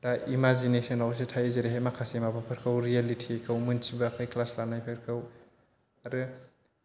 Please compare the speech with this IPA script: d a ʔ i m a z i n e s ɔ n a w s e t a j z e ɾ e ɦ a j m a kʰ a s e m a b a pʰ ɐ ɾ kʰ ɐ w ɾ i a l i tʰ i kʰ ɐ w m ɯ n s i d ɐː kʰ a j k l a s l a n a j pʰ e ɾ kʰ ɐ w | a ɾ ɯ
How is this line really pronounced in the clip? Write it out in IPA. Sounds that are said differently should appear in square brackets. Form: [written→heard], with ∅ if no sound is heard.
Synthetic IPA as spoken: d a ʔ i m a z i n e s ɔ n a w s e [t→tʰ] a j z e ɾ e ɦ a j m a kʰ a s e m a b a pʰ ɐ ɾ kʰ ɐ w ɾ i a l i tʰ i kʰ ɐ w m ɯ n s i [d→b] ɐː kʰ a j k l a s l a n a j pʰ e ɾ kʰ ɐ w | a ɾ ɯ